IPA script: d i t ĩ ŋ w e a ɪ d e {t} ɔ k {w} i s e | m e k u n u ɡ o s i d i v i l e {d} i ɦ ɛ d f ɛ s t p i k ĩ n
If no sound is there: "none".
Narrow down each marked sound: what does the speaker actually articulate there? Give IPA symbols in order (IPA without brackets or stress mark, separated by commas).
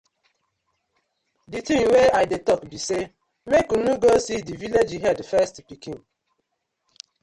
t, b, d͡ʒ